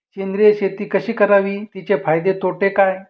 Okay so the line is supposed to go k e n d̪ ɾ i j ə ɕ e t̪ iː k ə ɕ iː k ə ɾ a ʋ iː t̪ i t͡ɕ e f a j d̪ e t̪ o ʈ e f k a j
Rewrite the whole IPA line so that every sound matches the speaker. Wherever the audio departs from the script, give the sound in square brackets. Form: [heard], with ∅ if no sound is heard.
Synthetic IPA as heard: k e n d̪ ɾ i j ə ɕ e t̪ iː k ə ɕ iː k ə ɾ a ʋ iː t̪ i t͡ɕ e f a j d̪ e t̪ o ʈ e [∅] k a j